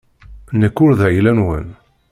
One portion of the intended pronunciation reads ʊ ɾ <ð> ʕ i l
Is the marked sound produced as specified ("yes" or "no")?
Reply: yes